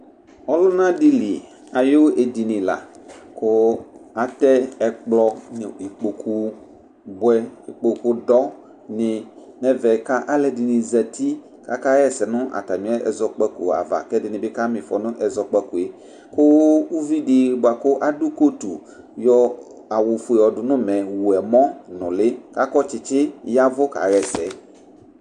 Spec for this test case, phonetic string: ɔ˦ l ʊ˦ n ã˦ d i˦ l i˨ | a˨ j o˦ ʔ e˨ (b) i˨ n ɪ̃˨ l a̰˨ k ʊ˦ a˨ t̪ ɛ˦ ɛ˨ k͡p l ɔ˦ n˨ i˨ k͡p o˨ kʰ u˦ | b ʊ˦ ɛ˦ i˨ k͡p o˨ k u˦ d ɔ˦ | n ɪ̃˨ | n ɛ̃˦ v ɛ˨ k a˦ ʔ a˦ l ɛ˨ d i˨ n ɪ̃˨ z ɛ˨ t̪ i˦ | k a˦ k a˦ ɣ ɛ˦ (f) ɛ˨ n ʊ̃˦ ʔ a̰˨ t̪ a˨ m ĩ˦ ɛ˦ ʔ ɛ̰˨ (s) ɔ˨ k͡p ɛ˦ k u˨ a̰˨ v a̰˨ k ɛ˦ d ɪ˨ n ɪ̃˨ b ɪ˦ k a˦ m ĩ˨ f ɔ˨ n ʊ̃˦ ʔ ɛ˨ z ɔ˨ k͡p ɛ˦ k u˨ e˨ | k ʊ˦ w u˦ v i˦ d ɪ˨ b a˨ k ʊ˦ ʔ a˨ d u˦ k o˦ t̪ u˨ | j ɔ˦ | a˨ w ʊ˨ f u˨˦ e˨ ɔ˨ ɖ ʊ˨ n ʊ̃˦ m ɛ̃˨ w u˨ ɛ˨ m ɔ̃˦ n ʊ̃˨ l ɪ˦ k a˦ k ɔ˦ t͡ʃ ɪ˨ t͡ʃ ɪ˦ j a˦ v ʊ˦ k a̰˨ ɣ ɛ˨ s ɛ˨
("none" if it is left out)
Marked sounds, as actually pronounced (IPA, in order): d, s, z

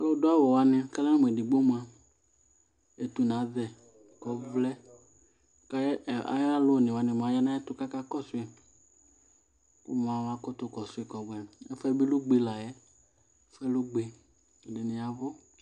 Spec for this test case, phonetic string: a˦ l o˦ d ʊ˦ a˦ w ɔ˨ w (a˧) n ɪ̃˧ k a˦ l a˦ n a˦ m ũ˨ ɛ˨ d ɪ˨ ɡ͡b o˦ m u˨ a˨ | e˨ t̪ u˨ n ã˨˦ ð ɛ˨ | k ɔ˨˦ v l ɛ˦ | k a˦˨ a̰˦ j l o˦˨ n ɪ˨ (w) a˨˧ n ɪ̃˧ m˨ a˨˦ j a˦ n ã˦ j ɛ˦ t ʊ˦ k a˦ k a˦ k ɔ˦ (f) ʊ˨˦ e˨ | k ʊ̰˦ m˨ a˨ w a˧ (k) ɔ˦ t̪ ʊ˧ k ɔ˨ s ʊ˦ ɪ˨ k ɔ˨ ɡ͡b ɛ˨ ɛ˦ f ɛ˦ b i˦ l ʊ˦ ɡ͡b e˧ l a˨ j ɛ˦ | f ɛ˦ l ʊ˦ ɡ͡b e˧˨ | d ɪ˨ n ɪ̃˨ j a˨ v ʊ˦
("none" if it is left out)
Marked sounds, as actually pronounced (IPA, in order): a˧, w, s, k

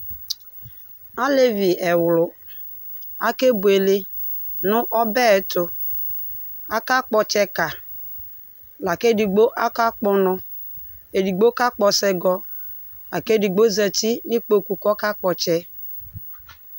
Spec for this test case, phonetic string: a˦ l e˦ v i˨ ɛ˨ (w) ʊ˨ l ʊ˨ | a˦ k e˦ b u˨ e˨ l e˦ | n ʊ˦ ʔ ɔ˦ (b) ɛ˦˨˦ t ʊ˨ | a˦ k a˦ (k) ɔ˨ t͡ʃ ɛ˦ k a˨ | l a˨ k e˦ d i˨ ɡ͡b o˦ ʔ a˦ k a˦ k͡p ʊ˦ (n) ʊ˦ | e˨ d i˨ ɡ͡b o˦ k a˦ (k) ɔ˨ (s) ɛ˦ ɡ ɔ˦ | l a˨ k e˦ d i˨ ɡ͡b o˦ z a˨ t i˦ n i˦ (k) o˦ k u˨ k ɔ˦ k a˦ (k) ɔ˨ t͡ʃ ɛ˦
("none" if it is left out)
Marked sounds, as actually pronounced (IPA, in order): w, b, k͡p, n, k͡p, s, k͡p, k͡p

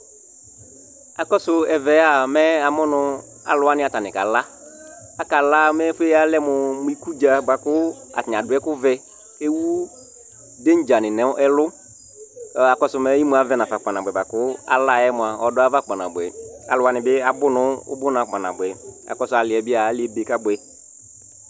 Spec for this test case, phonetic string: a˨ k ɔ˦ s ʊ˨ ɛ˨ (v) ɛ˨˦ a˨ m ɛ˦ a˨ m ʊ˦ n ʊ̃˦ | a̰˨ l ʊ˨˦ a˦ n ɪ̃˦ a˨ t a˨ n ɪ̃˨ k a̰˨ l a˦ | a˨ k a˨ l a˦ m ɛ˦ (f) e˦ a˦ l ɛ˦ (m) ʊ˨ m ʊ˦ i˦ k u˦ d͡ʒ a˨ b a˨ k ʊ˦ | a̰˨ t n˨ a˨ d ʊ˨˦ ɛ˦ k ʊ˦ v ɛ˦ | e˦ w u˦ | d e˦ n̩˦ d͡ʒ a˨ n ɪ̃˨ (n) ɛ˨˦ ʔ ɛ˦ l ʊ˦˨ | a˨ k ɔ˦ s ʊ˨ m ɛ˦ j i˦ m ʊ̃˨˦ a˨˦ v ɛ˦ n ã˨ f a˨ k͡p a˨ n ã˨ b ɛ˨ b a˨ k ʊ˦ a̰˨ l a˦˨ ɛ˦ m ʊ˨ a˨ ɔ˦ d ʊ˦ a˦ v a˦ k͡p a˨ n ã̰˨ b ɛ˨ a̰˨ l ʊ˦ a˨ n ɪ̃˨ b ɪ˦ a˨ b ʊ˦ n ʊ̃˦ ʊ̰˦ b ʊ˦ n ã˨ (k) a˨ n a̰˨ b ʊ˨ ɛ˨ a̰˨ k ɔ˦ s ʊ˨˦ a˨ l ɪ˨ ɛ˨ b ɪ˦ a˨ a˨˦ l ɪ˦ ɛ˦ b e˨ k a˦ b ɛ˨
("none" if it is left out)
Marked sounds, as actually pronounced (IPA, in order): v, f, m, n, k͡p

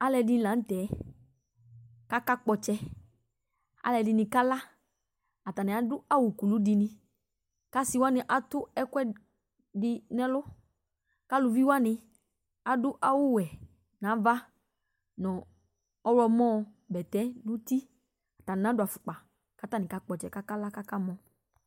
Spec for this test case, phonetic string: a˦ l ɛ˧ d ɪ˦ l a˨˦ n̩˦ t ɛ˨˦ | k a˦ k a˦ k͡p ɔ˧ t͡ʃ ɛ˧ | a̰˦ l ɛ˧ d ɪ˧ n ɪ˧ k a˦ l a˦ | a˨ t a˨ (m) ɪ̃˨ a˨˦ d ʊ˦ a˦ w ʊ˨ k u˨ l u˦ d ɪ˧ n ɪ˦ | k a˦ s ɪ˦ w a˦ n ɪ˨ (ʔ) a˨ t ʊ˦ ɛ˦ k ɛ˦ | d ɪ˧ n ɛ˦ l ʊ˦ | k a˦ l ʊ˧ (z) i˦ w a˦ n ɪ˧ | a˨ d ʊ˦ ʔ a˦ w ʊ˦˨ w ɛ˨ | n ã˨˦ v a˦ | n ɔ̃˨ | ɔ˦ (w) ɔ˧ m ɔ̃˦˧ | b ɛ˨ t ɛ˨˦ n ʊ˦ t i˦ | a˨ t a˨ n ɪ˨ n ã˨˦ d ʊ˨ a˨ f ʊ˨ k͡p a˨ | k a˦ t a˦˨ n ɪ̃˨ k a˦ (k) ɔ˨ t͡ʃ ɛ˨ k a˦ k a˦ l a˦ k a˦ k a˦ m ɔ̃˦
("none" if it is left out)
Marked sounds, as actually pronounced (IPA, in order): n, ʔ, v, w, k͡p

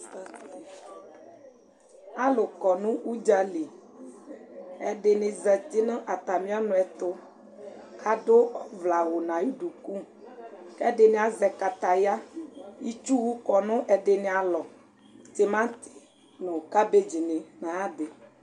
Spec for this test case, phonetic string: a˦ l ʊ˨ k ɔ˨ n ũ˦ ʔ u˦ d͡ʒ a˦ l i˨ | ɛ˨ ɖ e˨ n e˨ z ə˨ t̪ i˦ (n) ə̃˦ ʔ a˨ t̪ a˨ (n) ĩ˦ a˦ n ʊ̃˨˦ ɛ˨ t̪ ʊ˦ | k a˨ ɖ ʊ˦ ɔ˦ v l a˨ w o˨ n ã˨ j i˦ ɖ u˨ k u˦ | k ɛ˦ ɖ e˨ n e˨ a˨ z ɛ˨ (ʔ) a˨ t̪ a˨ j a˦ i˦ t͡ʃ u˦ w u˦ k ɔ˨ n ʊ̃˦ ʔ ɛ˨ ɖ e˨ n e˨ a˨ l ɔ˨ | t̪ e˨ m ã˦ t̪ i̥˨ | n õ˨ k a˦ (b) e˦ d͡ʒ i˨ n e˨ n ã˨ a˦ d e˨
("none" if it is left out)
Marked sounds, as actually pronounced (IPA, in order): n, m, k, b

